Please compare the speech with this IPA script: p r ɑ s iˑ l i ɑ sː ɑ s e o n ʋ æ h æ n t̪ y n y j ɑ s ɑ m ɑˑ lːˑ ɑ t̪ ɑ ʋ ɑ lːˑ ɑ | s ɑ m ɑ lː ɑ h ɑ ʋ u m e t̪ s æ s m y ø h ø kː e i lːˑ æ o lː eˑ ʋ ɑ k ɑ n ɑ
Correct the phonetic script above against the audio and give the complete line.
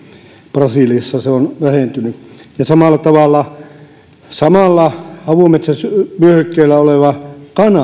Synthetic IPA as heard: p r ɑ s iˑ l i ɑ sː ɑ s e o n ʋ æ h e n t̪ y n y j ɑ s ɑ m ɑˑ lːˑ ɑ t̪ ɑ ʋ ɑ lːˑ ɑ | s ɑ m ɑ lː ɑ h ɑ ʋ u m e t̪ s æ s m y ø h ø kː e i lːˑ æ o l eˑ ʋ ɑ k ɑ n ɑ